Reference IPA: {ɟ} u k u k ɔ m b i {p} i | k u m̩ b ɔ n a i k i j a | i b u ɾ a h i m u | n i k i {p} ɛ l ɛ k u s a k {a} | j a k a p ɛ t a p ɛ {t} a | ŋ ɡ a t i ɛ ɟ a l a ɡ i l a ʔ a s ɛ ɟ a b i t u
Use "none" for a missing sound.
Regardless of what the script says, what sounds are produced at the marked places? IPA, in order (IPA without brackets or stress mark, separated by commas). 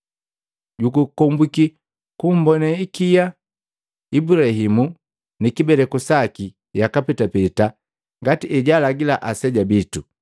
ɟ, k, b, i, t